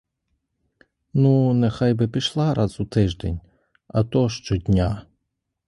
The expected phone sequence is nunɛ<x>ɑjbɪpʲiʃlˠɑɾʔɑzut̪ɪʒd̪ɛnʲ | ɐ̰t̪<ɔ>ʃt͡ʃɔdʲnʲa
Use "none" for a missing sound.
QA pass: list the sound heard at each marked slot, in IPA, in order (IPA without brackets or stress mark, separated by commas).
x, ɔ